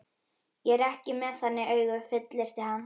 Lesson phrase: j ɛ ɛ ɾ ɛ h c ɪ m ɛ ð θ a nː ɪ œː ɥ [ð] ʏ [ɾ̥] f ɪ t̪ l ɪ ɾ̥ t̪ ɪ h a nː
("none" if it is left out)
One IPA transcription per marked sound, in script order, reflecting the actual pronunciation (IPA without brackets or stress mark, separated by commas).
ɣ, none